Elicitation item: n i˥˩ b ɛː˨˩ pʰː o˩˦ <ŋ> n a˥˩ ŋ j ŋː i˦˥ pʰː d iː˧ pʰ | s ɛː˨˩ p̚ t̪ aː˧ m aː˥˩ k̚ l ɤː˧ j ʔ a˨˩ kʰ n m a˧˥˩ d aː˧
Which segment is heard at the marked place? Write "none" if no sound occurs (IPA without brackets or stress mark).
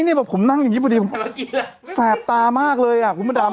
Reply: m